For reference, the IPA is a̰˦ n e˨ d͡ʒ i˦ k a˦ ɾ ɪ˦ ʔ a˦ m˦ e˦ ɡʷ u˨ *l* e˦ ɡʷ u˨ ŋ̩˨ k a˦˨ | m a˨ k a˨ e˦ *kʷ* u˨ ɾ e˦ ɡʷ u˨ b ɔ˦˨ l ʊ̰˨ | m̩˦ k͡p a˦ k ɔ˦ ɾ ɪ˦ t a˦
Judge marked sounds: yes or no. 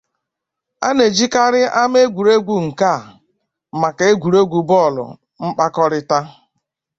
no, no

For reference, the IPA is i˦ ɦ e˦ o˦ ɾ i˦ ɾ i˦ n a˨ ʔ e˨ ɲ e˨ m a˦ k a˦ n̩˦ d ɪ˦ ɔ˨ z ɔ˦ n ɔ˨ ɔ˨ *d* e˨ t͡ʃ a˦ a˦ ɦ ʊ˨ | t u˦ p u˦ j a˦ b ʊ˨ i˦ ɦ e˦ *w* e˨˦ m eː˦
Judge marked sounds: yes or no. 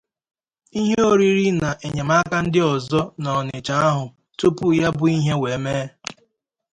no, yes

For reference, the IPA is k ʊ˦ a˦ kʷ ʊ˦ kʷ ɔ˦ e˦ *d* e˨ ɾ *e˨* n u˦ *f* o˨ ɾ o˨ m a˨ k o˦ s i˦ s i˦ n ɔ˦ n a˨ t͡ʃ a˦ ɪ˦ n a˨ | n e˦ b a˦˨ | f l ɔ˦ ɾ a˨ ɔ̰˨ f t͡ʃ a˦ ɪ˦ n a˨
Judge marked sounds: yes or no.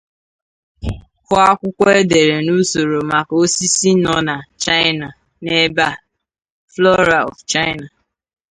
yes, yes, no

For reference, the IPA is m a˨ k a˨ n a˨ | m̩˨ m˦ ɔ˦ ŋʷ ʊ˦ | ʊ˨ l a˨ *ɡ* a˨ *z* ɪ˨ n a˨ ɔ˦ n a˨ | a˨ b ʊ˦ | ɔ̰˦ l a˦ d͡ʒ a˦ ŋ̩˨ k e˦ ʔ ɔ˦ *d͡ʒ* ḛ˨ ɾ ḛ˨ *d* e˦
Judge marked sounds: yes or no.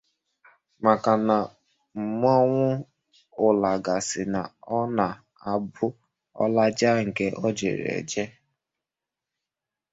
yes, no, yes, no

